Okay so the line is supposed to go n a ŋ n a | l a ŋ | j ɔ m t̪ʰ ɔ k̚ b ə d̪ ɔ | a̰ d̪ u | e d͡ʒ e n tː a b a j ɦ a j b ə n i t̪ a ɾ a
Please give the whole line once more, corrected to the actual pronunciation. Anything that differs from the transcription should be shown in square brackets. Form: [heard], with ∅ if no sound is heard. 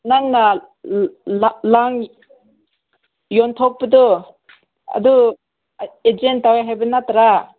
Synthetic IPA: n a ŋ n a | l a ŋ | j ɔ [n] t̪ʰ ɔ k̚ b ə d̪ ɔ | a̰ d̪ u | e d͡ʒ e n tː a [w] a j ɦ a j b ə n [a] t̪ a ɾ a